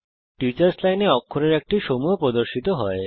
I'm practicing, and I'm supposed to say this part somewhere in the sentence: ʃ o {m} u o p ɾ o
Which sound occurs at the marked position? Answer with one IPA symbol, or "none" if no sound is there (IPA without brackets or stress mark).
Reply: m